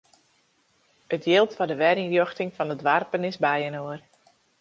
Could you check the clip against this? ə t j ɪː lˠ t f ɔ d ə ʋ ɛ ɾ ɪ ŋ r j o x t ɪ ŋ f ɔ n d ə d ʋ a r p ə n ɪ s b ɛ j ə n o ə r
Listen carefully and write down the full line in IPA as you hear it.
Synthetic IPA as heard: ə t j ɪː lˠ t f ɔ d ə ʋ ɛ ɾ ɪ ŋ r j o x t ɪ ŋ f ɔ n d ə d ʋ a r p ə n ɪ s b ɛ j ə n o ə r